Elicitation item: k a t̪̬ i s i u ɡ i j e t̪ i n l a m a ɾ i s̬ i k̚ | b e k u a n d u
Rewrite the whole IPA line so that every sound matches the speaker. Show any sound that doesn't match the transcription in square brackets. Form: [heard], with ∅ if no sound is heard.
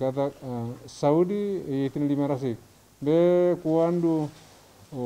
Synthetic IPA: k a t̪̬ [a] s [a] u [d] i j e t̪ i n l [i] m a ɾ [a] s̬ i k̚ | b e k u a n d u